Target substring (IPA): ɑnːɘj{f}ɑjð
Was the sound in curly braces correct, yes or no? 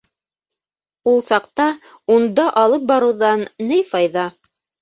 yes